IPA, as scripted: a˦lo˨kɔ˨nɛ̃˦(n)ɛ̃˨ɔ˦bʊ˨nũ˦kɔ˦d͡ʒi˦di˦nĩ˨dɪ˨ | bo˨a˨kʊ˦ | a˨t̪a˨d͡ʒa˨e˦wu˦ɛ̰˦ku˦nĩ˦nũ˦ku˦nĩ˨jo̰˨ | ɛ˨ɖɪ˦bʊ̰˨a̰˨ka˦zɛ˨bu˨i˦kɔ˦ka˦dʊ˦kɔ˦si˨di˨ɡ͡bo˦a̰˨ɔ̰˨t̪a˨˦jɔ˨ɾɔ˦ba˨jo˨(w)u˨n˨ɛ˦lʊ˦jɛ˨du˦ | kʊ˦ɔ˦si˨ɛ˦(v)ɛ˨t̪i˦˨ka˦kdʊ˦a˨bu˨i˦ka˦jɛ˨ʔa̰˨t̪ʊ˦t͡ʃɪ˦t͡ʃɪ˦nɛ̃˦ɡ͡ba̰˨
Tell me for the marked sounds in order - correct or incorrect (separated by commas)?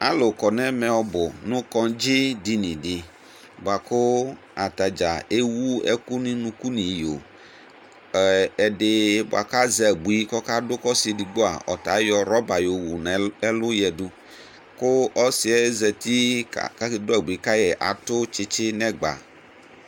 incorrect, correct, incorrect